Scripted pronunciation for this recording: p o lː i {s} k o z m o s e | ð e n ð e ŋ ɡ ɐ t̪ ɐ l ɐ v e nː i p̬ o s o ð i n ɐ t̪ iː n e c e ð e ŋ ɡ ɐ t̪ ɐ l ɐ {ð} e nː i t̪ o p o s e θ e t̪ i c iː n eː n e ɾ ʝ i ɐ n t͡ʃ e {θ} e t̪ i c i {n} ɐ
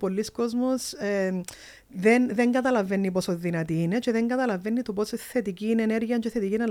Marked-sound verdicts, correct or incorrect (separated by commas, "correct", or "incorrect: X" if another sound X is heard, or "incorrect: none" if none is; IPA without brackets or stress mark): correct, incorrect: v, correct, correct